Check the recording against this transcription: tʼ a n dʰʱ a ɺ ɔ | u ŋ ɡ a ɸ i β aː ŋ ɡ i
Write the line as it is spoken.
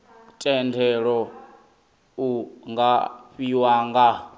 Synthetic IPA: tʼ ɛ n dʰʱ ɛ ɺ ɔ | u ŋ ɡ a ɸ i w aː ŋ ɡ a